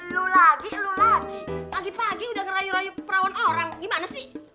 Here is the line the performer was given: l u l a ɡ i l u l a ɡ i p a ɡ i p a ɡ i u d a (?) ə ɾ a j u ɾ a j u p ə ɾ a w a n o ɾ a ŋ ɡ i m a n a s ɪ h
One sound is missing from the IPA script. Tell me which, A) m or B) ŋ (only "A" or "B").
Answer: B